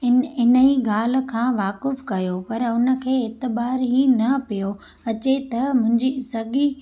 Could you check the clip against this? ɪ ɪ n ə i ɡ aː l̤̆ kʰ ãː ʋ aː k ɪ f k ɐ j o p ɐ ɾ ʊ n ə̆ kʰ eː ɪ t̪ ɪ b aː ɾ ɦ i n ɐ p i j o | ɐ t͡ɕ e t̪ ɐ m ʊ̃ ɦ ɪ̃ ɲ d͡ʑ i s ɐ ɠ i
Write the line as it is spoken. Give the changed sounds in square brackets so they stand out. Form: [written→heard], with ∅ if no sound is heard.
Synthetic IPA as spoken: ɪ ɪ n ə i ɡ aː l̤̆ kʰ ãː ʋ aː k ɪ f k ɐ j o p ɐ ɾ ʊ n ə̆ kʰ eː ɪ t̪ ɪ b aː ɾ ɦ i n ɐ p i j o | ɐ t͡ɕ e t̪ ɐ m ʊ̃ ɦ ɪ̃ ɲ d͡ʑ i s ɐ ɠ i